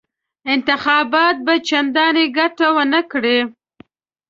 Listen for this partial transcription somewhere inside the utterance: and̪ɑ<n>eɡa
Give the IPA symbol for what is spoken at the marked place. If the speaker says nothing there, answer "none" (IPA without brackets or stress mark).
n